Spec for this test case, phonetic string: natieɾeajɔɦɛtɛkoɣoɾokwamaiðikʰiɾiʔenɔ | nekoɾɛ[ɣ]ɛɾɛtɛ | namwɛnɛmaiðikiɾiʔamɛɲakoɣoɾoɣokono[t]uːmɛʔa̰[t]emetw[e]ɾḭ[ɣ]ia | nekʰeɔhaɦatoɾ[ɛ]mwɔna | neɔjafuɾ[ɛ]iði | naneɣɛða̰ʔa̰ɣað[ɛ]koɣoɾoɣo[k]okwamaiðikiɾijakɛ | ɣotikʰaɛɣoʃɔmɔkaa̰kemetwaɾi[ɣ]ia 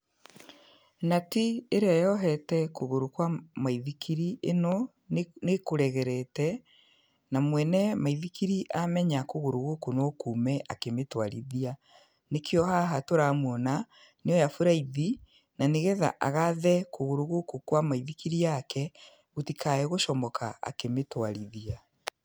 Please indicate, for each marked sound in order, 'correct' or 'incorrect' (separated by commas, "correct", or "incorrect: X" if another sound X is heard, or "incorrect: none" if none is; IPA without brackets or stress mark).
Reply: correct, incorrect: k, incorrect: k, incorrect: a, incorrect: ð, incorrect: a, incorrect: a, correct, correct, incorrect: ð